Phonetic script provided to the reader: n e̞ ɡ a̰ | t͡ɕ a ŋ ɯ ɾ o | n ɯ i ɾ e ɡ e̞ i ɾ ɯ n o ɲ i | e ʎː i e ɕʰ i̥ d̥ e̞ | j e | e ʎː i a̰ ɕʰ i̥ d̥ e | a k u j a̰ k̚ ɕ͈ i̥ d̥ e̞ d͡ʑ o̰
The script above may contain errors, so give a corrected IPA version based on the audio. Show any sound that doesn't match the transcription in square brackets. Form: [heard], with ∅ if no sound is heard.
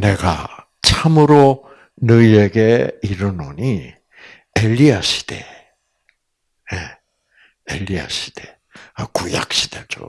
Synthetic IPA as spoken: n e̞ ɡ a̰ | [t͡ɕʰ] a [m] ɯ ɾ o | n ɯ i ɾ e ɡ e̞ i ɾ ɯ n o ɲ i | e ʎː i [a] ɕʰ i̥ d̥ e̞ | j e | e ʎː i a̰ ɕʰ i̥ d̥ e | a k u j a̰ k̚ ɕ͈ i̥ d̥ e̞ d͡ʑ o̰